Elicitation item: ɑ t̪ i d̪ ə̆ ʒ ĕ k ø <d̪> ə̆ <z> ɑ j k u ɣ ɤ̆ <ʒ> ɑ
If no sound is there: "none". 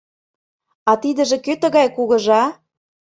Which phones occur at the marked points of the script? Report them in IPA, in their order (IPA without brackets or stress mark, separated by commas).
t̪, ɣ, ʒ